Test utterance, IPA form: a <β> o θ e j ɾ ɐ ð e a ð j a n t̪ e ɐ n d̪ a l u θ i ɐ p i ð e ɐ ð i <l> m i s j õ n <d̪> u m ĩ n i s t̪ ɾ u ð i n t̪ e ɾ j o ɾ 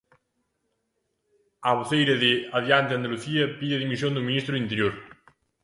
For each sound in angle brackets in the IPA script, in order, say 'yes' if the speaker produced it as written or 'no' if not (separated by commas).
yes, no, yes